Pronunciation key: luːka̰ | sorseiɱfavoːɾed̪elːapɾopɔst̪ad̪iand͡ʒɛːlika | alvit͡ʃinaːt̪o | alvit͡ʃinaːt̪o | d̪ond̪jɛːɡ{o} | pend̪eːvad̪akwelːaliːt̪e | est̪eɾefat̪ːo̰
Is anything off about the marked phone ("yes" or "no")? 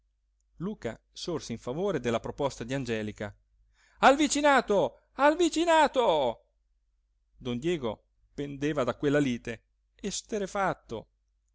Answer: no